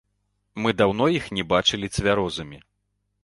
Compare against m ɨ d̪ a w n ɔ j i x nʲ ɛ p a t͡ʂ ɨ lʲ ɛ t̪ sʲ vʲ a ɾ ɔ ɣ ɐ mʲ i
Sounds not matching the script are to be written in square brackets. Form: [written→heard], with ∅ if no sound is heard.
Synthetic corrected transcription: m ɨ d̪ a w n ɔ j i x nʲ ɛ [p→b] a t͡ʂ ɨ lʲ [ɛ→i] t̪ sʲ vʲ a ɾ ɔ [ɣ→z] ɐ mʲ i